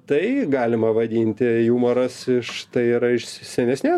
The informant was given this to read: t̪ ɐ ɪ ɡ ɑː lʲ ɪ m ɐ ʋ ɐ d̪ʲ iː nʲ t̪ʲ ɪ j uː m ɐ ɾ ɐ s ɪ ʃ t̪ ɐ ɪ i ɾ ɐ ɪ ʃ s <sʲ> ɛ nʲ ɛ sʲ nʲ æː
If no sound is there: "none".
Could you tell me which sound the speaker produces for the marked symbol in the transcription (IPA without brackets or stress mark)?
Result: sʲ